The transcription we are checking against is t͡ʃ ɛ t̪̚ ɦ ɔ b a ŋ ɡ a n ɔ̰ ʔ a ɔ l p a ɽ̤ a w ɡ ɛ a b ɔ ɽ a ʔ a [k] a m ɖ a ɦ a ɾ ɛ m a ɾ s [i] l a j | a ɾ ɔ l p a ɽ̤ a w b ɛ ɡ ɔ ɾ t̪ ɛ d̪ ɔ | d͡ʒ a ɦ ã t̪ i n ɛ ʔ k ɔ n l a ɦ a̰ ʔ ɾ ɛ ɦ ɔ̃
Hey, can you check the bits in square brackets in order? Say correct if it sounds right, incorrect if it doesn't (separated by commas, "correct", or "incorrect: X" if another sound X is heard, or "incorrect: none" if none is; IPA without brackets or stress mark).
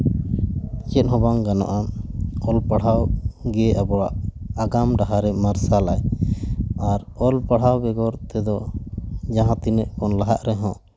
incorrect: ɡ, incorrect: a